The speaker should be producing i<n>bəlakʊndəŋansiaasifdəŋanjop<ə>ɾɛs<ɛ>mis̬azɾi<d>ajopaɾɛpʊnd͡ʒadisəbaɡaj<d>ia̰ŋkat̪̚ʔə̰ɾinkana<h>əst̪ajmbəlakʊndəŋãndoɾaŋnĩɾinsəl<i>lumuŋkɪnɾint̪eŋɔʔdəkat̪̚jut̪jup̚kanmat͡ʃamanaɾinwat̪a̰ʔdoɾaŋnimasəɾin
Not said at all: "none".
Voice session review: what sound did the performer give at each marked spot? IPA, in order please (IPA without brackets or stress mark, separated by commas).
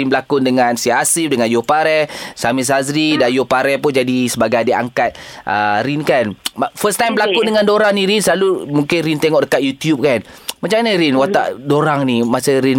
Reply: n, a, a, d, d, f, a